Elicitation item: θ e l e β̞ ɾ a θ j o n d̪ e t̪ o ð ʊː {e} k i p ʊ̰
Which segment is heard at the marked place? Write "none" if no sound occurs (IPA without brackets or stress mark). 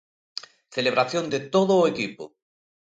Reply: e